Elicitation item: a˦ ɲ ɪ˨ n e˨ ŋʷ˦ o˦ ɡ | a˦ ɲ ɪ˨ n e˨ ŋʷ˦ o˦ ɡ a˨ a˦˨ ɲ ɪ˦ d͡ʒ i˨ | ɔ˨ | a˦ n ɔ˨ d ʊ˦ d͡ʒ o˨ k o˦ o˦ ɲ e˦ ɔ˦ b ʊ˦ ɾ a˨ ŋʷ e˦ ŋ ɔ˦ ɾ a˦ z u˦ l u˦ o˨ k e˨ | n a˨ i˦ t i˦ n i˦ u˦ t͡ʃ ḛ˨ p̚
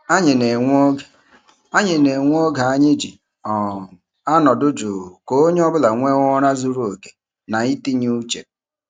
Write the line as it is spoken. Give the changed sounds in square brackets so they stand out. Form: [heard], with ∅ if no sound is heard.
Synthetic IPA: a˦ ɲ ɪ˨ n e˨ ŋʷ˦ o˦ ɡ | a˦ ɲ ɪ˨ n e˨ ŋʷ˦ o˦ ɡ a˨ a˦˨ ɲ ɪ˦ d͡ʒ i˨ | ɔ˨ | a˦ n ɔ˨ d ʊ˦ d͡ʒ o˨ k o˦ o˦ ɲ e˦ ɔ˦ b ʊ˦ [l] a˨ ŋʷ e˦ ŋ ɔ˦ ɾ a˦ z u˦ [ɾ] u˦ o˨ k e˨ | n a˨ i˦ t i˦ [ɲ] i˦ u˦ t͡ʃ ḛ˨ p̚